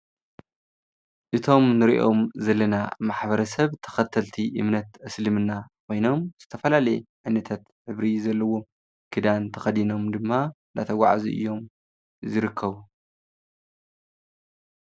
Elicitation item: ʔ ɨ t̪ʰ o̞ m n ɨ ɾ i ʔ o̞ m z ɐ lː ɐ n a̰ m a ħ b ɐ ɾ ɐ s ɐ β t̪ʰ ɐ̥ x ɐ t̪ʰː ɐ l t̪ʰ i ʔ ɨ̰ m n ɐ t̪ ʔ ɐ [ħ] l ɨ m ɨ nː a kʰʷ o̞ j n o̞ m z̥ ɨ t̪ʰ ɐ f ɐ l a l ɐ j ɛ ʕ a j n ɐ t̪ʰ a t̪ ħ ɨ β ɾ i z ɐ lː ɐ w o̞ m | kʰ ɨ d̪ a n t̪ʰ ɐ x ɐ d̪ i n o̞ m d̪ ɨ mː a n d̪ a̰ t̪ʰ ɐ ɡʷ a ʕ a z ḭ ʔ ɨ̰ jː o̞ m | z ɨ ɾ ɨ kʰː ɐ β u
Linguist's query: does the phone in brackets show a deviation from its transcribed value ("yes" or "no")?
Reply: yes